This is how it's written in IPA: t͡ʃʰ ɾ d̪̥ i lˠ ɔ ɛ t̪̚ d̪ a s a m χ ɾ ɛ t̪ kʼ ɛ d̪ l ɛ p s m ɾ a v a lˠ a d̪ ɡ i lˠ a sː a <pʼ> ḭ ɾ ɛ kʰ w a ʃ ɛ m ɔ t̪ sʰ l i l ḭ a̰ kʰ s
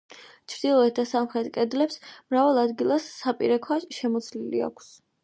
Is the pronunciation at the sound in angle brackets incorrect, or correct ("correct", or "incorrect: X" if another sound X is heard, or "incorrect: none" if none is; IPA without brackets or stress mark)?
correct